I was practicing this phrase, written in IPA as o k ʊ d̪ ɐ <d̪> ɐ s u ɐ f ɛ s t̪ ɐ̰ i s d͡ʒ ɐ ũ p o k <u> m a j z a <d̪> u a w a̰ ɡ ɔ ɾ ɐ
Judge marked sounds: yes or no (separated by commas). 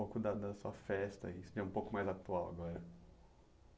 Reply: yes, no, no